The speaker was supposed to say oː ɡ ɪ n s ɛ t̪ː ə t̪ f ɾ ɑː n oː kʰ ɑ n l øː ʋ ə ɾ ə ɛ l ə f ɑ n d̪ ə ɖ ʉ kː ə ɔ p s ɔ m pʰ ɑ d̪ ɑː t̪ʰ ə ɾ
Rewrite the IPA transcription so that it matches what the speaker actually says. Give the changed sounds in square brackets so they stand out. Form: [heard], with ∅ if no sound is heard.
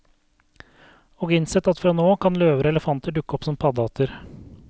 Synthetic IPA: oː ɡ ɪ n s ɛ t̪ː [ɑ] t̪ f ɾ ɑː n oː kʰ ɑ n l øː ʋ ə ɾ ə ɛ l ə f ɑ n [t̪] ə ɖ ʉ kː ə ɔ p s ɔ m pʰ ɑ d̪ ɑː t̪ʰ ə ɾ